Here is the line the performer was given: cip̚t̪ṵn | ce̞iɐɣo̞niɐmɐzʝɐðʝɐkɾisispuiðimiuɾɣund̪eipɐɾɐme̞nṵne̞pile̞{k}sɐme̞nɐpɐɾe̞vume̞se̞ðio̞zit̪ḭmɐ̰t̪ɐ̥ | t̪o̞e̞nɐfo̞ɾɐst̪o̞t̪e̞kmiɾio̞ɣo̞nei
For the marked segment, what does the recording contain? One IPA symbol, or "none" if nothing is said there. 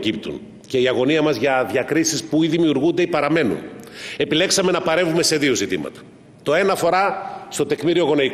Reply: k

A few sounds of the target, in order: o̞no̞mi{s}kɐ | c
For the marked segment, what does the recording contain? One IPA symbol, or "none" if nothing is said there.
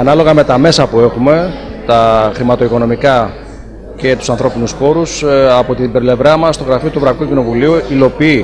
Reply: none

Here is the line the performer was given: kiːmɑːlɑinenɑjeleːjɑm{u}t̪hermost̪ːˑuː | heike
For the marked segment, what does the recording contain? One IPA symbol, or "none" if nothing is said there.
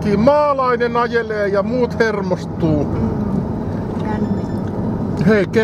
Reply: uː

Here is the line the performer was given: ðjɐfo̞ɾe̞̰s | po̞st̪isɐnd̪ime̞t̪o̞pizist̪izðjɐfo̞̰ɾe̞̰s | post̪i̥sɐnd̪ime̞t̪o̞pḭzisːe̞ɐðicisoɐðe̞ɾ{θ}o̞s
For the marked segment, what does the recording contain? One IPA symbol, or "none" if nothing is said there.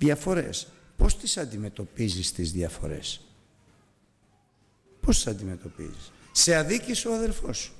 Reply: f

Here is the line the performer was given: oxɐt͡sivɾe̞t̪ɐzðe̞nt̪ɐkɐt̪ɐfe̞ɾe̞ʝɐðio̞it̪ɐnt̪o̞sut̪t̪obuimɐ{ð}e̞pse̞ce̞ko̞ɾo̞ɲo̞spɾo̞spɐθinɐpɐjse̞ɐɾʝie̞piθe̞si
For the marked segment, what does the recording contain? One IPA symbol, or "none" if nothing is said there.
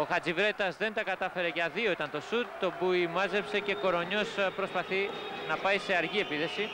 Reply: z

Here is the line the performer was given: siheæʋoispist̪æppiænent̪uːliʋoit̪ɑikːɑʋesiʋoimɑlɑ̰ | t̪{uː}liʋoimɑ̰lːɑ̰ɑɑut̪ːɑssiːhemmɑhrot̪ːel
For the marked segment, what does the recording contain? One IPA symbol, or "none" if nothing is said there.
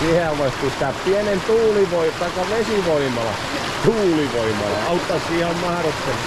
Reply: uː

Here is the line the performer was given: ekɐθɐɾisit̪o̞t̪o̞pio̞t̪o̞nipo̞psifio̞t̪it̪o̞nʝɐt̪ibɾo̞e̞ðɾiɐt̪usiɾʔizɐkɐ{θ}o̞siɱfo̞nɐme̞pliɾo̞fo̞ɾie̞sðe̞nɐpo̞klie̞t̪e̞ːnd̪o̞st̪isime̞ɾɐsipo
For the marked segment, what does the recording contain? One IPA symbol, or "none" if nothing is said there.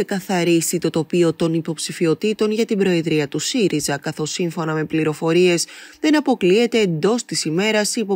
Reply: θ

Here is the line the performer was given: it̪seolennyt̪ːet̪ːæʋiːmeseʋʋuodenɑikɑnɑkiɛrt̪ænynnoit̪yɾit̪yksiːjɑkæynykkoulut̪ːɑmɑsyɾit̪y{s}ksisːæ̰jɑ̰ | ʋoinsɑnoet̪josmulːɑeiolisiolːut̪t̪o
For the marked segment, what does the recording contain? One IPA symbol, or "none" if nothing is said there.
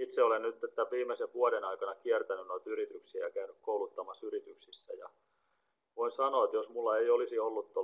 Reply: none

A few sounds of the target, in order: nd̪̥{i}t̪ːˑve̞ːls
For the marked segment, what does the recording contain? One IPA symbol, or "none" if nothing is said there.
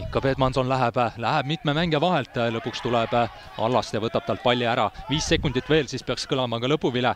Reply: i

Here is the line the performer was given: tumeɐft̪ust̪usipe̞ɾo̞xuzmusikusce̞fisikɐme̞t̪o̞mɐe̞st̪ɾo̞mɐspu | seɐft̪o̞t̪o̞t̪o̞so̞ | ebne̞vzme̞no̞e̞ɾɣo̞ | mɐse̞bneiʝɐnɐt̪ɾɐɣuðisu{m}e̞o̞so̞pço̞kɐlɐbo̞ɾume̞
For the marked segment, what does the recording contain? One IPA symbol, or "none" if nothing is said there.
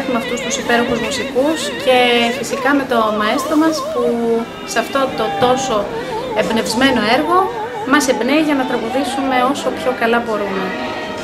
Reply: m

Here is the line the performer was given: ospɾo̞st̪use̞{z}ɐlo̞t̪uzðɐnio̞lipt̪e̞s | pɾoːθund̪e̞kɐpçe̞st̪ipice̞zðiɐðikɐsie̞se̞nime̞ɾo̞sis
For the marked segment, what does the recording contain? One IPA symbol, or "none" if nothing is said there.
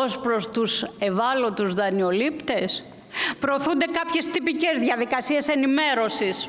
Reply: v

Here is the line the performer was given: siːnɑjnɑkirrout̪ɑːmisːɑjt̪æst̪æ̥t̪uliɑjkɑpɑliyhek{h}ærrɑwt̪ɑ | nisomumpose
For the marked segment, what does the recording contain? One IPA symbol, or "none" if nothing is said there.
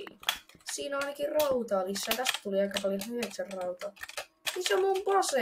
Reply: s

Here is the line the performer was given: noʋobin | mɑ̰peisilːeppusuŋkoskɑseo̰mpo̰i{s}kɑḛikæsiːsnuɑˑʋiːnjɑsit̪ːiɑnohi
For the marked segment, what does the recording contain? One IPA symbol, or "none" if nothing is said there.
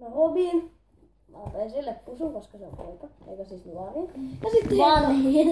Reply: none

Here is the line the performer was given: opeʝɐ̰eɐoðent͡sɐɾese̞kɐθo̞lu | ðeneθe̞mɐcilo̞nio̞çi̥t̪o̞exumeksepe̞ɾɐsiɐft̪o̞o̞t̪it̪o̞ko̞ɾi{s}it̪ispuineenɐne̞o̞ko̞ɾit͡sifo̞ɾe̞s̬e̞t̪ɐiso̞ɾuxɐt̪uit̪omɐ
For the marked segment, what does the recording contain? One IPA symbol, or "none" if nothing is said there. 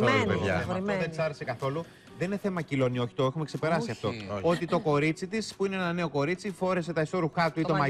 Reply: t͡s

